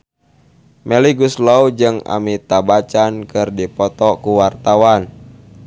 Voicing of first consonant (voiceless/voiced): voiced